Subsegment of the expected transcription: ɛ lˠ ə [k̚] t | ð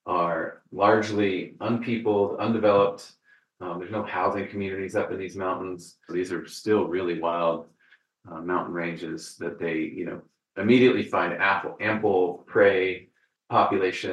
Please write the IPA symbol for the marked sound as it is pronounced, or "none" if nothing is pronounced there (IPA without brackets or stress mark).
p̚